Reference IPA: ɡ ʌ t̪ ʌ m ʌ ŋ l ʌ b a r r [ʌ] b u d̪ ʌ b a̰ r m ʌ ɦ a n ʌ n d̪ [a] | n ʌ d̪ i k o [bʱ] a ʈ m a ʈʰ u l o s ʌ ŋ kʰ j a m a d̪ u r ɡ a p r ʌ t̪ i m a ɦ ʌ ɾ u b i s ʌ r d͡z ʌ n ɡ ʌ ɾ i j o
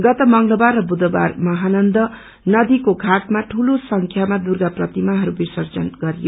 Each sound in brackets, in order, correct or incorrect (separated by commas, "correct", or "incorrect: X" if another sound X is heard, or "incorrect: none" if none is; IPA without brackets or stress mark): correct, incorrect: ʌ, incorrect: ɡʱ